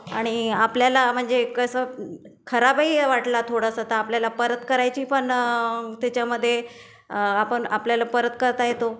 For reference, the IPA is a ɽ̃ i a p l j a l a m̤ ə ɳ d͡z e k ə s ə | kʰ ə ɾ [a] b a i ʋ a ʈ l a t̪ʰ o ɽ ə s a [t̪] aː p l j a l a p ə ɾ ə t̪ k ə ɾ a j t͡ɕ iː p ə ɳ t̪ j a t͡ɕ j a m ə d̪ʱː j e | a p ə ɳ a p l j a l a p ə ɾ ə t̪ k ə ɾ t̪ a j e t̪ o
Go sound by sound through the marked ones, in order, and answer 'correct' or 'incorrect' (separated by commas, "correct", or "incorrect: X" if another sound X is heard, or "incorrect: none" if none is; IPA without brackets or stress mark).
correct, correct